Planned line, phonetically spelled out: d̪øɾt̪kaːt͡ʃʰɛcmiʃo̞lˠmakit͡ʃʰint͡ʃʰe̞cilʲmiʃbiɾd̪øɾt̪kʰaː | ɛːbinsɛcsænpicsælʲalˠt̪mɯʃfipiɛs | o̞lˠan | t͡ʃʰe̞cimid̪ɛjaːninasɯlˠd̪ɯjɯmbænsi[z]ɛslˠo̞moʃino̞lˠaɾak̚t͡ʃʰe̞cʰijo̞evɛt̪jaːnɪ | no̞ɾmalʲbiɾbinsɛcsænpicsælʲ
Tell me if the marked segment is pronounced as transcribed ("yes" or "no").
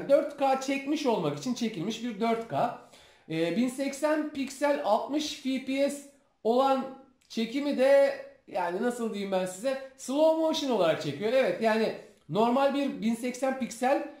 yes